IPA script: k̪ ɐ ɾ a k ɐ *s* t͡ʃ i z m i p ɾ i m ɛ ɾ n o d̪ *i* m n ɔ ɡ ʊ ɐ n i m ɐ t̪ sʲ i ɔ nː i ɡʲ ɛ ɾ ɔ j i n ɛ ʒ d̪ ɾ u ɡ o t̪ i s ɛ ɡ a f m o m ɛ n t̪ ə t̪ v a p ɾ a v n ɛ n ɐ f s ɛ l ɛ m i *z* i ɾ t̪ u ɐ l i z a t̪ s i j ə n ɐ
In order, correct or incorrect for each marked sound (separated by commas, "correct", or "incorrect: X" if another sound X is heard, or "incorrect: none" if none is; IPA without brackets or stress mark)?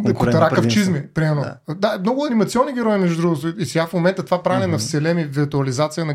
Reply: incorrect: f, incorrect: a, incorrect: v